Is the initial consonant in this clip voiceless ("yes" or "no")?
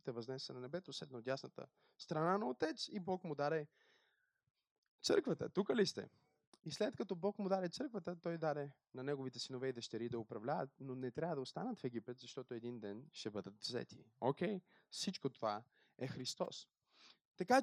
yes